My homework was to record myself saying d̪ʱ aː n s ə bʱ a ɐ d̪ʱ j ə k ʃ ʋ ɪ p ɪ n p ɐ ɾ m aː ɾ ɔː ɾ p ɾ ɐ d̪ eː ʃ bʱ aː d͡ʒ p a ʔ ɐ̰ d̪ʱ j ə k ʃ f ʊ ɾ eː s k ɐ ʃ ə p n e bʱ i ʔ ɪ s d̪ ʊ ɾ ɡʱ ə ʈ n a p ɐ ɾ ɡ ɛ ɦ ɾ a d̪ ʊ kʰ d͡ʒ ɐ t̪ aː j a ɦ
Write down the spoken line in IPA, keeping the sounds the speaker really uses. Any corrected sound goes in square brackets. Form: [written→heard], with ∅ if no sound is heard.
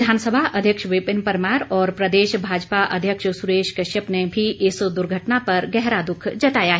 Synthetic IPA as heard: d̪ʱ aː n s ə bʱ a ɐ d̪ʱ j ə k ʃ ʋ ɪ p ɪ n p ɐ ɾ m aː ɾ ɔː ɾ p ɾ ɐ d̪ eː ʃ bʱ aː d͡ʒ p a ʔ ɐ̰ d̪ʱ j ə k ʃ [f→s] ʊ ɾ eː [s→ʃ] k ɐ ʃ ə p n e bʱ i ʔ ɪ s d̪ ʊ ɾ ɡʱ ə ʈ n a p ɐ ɾ ɡ ɛ ɦ ɾ a d̪ ʊ kʰ d͡ʒ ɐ t̪ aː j a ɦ